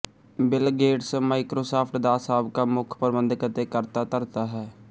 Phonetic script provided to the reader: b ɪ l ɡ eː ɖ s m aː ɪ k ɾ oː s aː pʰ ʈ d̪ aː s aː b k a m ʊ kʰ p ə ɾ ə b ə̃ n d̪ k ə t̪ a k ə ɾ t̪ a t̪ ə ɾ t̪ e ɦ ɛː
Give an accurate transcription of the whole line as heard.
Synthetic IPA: b ɪ l ɡ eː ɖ s m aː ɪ k ɾ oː s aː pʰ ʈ d̪ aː s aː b k a m ʊ kʰ p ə ɾ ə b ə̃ n d̪ k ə t̪ e k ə ɾ t̪ a t̪ ə ɾ t̪ a ɦ ɛː